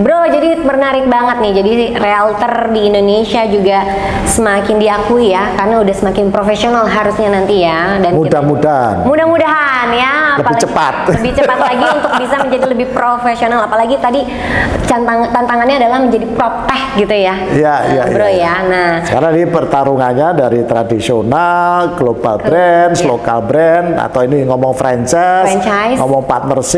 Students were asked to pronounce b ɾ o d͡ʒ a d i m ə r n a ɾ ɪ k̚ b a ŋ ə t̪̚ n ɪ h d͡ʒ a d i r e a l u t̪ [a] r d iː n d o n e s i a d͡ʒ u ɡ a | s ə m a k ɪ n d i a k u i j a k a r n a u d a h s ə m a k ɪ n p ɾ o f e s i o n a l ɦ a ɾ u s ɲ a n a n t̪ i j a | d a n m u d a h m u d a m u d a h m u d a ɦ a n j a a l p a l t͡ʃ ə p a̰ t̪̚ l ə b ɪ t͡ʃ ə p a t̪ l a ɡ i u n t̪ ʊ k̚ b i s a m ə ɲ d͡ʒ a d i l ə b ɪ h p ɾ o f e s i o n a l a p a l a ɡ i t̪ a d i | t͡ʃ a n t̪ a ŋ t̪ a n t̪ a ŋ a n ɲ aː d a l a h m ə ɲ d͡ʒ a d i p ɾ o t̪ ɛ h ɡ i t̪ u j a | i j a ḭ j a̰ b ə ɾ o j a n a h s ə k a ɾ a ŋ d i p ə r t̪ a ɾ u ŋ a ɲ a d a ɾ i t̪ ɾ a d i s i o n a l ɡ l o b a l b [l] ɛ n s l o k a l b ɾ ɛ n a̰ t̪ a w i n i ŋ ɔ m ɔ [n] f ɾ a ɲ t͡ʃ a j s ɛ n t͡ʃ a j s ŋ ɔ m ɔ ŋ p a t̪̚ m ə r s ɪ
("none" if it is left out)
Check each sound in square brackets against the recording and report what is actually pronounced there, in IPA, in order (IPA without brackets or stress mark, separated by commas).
ə, ɾ, ŋ